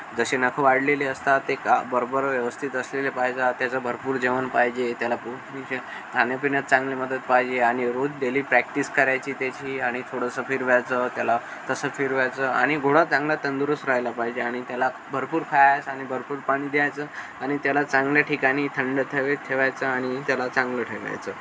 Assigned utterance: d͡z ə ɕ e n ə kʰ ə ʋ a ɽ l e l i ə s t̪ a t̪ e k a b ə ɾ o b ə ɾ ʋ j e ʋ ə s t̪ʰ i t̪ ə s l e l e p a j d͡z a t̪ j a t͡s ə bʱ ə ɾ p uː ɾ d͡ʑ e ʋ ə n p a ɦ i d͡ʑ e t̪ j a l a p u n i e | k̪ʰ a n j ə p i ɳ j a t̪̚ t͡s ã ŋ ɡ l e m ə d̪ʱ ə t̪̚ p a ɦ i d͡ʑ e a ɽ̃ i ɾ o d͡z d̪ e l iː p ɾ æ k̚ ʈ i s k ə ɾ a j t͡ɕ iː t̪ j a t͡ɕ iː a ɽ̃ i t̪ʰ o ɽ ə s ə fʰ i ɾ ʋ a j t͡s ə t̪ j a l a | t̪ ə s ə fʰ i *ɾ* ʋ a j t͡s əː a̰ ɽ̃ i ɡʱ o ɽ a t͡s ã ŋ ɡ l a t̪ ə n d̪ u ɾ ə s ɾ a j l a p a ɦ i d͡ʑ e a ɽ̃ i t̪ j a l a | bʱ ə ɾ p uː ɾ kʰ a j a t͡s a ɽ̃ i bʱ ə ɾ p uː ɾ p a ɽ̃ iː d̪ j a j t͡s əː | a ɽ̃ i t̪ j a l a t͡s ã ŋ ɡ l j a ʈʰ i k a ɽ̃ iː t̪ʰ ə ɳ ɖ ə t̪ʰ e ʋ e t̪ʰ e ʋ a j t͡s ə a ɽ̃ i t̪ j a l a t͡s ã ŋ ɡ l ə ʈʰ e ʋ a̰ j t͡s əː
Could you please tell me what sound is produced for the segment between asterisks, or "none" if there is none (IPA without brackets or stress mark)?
ɾ